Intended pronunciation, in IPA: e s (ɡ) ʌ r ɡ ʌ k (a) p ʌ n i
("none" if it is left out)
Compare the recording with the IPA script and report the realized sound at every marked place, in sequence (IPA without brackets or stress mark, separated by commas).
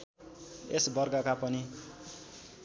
b, a